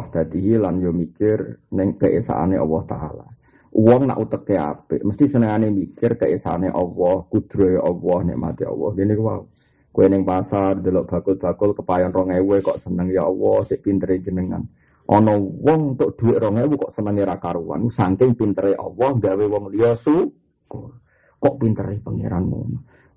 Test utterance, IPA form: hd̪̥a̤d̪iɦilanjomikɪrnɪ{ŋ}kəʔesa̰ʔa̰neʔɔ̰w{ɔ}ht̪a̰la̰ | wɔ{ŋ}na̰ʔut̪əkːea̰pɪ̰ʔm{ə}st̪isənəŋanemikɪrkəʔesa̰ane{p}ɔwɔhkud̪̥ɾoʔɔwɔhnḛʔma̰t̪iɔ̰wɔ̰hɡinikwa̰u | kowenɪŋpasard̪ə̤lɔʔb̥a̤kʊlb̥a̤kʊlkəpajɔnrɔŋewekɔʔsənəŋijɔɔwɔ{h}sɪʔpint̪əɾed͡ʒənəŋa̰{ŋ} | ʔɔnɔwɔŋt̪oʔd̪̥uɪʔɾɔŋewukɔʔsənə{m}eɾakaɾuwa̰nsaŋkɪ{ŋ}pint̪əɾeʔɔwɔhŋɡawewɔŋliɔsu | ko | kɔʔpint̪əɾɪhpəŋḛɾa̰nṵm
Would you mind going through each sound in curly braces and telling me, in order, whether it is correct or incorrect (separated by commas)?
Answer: correct, correct, correct, correct, incorrect, correct, incorrect, incorrect, correct